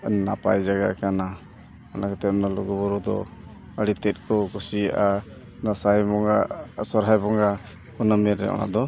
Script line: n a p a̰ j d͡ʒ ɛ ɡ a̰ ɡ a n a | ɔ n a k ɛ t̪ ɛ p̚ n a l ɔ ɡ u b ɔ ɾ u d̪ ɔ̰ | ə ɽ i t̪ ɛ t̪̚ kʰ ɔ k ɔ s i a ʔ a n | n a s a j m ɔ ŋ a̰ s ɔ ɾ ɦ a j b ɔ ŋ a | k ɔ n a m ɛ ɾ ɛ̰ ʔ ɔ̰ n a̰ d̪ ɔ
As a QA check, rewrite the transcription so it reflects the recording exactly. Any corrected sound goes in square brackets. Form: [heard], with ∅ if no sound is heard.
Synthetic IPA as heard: n a p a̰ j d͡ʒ [a] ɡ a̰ [k] a n a | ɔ n a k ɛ t̪ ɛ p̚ n a l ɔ ɡ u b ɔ ɾ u d̪ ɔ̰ | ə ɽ i t̪ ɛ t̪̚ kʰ ɔ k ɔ s i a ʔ a [∅] | n a s a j m ɔ ŋ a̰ s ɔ ɾ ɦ a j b ɔ ŋ a | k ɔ n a m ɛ ɾ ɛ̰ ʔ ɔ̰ n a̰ d̪ ɔ